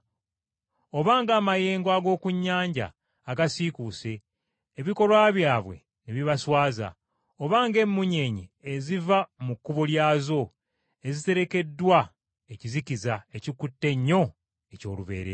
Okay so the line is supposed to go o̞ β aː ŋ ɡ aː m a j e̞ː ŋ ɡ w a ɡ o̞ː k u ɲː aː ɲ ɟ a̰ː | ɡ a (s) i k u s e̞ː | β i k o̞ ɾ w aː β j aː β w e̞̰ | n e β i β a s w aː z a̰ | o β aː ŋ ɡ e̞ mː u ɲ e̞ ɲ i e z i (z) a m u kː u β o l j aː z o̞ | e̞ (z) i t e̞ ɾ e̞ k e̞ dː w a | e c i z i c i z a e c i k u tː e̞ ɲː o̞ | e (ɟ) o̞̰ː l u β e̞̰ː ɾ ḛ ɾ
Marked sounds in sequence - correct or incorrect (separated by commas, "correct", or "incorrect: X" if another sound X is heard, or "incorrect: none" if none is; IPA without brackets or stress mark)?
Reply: correct, incorrect: v, correct, incorrect: c